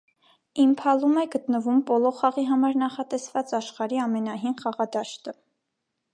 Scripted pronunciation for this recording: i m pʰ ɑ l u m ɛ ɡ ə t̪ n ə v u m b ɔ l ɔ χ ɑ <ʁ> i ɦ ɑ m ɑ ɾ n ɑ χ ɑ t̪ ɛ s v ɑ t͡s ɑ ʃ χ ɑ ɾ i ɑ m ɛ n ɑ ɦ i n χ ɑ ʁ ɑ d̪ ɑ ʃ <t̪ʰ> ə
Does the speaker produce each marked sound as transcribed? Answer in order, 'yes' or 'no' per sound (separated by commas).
yes, no